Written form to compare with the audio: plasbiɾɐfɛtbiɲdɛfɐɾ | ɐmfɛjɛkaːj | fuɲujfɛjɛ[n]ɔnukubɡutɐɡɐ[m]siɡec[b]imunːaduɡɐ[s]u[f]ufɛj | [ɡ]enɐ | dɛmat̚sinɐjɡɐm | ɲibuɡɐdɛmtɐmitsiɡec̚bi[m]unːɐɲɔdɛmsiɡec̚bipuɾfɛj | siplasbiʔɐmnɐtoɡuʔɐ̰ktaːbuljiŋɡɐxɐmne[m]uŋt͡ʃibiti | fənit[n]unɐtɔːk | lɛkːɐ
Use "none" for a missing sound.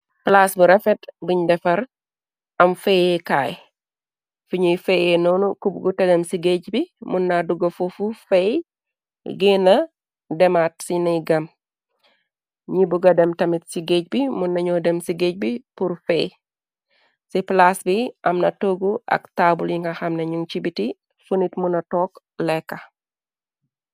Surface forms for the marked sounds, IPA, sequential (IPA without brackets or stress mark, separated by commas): n, m, b, f, f, ɡ, m, ɲ, m